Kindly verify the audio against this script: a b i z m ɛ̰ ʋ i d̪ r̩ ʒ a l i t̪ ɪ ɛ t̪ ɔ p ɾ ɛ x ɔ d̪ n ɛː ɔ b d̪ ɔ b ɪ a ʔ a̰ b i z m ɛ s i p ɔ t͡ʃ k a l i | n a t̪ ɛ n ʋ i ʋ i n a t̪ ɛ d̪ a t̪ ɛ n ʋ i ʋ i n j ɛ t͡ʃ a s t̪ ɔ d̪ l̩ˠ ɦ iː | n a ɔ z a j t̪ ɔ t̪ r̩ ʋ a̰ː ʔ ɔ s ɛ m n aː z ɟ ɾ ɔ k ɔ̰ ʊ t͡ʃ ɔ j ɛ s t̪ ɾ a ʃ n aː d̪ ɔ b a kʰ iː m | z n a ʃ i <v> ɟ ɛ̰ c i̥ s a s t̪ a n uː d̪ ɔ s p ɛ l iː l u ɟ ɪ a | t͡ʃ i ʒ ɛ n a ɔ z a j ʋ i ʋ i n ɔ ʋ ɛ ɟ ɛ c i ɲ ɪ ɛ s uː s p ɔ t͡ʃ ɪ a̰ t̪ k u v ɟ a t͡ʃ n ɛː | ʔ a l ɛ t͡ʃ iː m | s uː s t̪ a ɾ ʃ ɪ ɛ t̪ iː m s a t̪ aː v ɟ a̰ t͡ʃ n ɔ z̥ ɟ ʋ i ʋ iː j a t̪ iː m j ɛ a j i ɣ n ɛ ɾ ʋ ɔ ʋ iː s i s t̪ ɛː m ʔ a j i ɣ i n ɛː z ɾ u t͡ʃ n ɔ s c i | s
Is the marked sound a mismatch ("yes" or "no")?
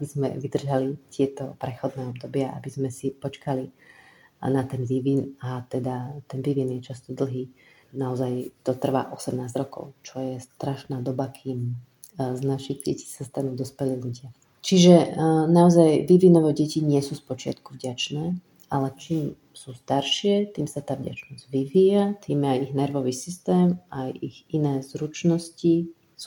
yes